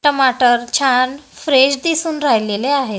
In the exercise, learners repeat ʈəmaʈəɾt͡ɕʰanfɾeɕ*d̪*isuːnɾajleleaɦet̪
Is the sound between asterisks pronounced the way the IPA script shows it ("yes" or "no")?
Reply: yes